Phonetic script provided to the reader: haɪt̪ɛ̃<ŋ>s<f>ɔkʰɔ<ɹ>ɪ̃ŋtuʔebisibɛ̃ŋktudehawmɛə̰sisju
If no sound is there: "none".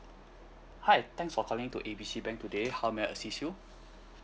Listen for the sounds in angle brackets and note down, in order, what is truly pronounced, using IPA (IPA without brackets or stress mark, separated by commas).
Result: ŋ, f, l